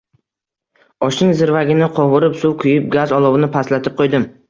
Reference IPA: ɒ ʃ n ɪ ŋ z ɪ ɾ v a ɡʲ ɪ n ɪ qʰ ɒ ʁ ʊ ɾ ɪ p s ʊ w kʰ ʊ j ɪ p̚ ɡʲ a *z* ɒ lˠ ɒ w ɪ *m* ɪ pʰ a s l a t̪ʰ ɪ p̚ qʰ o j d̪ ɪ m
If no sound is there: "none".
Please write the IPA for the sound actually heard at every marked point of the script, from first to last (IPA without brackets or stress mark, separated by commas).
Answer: z, n